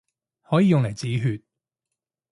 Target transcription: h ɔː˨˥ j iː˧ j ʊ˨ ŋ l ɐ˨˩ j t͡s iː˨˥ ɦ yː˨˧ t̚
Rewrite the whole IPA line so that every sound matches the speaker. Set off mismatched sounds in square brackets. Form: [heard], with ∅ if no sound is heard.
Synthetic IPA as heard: h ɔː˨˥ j iː˧ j ʊ˨ ŋ l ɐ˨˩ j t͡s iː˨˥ ɦ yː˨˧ t̚